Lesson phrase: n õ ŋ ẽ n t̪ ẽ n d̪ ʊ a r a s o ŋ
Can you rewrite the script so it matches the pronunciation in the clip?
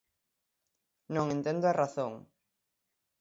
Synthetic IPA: n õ ŋ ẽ n t̪ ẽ n d̪ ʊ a r a θ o ŋ